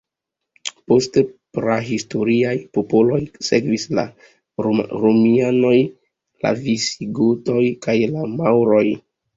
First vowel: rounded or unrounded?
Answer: rounded